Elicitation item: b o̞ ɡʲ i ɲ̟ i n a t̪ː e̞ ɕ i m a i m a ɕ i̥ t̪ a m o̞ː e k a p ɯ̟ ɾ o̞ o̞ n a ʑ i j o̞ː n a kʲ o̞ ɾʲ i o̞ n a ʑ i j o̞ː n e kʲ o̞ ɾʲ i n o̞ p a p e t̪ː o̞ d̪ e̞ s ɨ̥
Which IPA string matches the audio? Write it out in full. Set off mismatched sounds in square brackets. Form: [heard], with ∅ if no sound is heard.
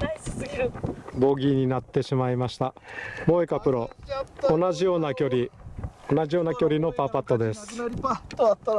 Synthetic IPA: b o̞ ɡʲ i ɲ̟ i n a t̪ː e̞ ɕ i m a i m a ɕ i̥ t̪ a m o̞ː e k a p ɯ̟ ɾ o̞ o̞ n a ʑ i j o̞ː n a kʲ o̞ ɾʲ i o̞ n a ʑ i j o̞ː n [a] kʲ o̞ ɾʲ i n o̞ p a p [a] t̪ː o̞ d̪ e̞ s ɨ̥